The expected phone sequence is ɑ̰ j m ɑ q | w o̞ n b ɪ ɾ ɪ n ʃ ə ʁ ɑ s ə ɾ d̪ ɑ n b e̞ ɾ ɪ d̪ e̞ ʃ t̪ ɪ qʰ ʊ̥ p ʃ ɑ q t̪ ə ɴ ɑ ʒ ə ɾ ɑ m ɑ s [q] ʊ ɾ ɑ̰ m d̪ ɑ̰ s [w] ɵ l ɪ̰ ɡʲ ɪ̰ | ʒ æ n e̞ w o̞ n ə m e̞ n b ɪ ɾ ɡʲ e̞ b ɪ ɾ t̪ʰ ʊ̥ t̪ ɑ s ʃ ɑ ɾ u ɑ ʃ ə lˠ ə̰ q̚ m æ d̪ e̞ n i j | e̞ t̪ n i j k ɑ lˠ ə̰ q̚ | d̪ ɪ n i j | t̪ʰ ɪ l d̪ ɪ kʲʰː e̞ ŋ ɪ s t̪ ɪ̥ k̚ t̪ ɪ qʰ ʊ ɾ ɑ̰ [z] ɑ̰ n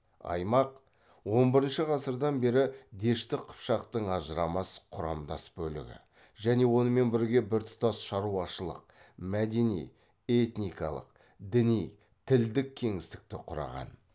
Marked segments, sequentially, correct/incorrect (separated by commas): incorrect, incorrect, incorrect